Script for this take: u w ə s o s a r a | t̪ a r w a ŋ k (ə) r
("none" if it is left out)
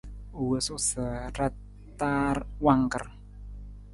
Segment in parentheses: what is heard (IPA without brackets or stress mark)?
ə